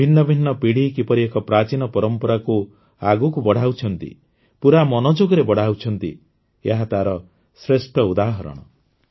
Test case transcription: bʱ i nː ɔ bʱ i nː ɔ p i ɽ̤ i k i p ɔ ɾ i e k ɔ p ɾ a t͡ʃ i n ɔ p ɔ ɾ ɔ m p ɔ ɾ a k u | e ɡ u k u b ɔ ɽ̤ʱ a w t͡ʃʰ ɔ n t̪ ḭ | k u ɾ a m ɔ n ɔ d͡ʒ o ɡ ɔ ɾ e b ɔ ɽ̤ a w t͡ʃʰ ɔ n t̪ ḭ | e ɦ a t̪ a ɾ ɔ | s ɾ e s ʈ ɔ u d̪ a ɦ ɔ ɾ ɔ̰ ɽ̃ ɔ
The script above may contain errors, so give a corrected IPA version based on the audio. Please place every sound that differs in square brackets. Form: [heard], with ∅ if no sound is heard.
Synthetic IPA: bʱ i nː ɔ bʱ i nː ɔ p i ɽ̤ i k i p ɔ ɾ i e k ɔ p ɾ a t͡ʃ i n ɔ p ɔ ɾ ɔ m p ɔ ɾ a k u | [a] ɡ u k u b ɔ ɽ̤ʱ a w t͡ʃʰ ɔ n t̪ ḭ | [p] u ɾ a m ɔ n ɔ d͡ʒ o ɡ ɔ ɾ e b ɔ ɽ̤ a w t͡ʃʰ ɔ n t̪ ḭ | e ɦ a t̪ a ɾ ɔ | s ɾ e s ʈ ɔ u d̪ a ɦ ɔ ɾ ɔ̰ ɽ̃ ɔ